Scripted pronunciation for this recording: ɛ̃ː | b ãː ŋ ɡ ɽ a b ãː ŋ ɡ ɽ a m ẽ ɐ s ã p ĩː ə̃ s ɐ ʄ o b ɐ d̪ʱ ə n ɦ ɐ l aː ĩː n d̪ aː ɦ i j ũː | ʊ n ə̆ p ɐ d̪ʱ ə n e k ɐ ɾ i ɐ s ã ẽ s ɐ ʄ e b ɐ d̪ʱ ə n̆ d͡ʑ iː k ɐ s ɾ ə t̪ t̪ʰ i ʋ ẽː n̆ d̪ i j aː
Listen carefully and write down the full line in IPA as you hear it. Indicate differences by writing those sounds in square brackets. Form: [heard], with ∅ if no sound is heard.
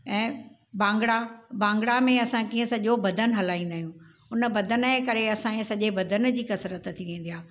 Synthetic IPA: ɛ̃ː | b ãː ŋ ɡ ɽ a b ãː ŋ ɡ ɽ a m ẽ ɐ s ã [k] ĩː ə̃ s ɐ ʄ o b ɐ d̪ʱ ə n ɦ ɐ l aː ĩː n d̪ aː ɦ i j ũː | ʊ n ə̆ [b] ɐ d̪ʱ ə n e k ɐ ɾ [e] ɐ s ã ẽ s ɐ ʄ e b ɐ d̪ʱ ə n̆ d͡ʑ iː k ɐ s ɾ ə t̪ t̪ʰ i ʋ ẽː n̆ d̪ i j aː